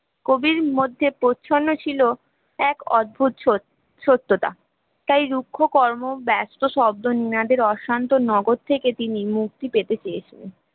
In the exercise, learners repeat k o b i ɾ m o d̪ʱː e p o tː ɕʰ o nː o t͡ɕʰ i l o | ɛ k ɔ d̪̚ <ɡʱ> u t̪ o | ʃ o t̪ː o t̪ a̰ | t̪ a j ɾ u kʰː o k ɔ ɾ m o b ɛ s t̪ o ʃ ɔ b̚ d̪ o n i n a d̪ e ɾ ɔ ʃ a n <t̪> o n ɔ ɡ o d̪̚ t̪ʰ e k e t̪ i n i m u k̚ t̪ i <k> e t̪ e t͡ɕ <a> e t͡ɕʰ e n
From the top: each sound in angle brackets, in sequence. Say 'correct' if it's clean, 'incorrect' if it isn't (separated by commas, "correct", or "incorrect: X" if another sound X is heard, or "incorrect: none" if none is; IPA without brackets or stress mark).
incorrect: bʱ, correct, incorrect: p, incorrect: e